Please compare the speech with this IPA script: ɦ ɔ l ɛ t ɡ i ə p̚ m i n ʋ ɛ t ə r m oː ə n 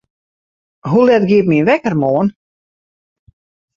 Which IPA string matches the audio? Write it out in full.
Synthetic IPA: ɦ u l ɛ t ɡ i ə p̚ m i n ʋ ɛ k ə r m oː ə n